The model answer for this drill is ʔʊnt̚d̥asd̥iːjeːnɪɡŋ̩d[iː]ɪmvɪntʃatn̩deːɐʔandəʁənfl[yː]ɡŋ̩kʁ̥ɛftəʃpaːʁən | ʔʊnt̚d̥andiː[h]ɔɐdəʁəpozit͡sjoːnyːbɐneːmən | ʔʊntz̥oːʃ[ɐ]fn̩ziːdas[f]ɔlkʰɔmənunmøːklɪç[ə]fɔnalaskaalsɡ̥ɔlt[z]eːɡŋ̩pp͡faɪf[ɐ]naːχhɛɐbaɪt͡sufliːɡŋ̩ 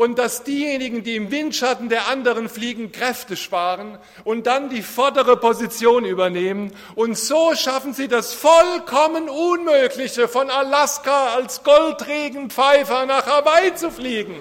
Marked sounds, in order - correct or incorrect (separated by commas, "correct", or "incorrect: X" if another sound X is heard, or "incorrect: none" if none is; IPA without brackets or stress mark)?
correct, incorrect: iː, incorrect: f, incorrect: a, correct, correct, incorrect: ʁ, correct